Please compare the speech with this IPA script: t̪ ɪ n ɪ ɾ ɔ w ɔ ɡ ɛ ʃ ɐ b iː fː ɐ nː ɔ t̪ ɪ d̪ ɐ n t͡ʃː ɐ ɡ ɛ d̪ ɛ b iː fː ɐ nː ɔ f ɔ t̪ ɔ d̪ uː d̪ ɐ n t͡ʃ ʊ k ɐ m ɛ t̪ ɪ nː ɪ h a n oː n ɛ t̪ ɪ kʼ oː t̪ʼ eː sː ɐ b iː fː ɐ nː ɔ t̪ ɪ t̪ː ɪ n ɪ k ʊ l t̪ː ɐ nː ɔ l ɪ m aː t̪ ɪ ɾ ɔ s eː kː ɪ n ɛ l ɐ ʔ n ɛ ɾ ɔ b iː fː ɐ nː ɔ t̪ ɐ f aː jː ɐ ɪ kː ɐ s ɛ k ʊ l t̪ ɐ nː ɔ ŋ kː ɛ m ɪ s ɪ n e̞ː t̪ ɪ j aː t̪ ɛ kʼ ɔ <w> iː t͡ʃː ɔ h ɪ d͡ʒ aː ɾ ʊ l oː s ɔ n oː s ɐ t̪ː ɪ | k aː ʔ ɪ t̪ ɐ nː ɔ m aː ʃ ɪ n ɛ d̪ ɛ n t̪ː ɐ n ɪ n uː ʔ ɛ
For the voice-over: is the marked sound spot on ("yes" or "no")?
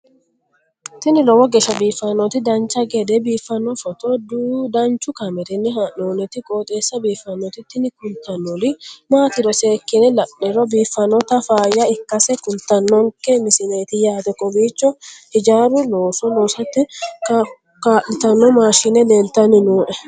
no